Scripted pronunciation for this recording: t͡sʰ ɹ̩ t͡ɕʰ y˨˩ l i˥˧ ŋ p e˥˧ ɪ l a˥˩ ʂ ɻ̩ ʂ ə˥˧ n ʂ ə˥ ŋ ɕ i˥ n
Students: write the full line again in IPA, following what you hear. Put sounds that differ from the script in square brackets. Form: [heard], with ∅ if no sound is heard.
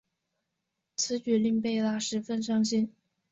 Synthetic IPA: t͡sʰ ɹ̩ [t͡ɕ] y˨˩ l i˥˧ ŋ p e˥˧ ɪ l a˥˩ ʂ ɻ̩ [f] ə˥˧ n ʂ [ɑ˥] ŋ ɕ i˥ n